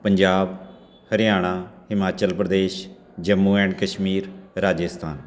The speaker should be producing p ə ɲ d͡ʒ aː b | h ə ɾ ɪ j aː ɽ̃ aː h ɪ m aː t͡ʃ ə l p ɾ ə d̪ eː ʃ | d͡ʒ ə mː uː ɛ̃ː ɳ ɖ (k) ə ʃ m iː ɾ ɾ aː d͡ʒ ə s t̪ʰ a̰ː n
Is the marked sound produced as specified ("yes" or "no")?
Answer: yes